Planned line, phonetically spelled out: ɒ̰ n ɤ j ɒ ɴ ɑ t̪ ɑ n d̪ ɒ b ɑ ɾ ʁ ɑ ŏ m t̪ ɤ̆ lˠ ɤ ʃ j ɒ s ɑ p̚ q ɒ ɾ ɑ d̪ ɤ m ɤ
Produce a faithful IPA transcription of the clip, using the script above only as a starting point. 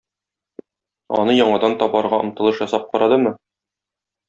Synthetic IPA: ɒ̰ n ɤ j ɒ ɴ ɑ d̪ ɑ n t̪ ɒ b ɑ ɾ ʁ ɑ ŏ m t̪ ɤ̆ lˠ ɤ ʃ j ɒ s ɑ p̚ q ɒ ɾ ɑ d̪ ɤ m ɤ